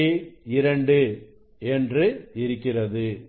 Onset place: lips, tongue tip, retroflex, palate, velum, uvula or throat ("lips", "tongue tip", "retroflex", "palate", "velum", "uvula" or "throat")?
tongue tip